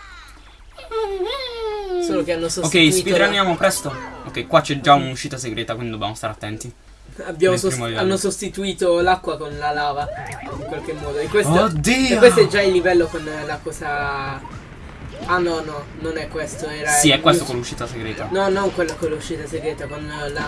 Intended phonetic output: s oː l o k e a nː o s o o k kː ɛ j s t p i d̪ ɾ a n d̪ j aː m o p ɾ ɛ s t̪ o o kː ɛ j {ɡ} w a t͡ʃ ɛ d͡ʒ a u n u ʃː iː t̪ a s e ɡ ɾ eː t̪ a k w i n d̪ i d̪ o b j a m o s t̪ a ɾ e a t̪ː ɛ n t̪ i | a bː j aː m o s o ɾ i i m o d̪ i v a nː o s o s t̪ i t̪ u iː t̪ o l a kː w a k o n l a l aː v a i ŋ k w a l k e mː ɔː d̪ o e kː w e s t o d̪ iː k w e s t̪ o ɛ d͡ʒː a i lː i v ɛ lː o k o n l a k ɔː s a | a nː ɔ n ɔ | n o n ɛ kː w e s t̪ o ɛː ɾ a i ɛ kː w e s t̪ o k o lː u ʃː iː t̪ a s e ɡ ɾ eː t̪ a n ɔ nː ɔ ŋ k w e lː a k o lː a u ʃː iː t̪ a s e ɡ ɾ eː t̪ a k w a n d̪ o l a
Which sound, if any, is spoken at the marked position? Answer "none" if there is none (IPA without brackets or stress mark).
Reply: k